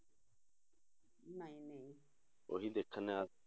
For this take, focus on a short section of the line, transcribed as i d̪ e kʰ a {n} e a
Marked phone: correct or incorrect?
correct